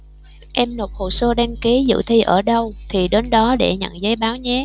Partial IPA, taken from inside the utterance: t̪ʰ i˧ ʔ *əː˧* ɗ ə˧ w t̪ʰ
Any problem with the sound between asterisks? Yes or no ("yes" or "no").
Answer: yes